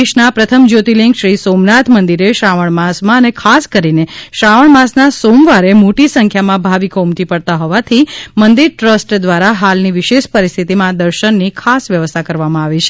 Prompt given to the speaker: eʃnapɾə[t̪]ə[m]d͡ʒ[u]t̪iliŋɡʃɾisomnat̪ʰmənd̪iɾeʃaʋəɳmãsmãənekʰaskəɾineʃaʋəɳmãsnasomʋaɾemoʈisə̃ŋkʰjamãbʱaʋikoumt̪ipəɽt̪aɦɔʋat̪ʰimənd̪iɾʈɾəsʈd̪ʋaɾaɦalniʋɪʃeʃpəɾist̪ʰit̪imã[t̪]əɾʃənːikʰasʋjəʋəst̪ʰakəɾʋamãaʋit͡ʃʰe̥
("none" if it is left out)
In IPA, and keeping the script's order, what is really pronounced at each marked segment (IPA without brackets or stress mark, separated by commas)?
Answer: t̪ʰ, m, o, d̪